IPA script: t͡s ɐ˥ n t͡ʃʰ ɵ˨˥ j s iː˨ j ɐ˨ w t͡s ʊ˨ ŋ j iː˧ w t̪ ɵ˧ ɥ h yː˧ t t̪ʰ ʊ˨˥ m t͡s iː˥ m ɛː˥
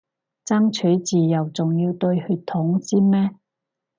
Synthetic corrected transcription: t͡s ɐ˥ ŋ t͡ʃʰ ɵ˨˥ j t͡s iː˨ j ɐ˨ w t͡s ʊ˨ ŋ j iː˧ w t̪ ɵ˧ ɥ h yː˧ t t̪ʰ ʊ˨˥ ŋ t͡s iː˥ m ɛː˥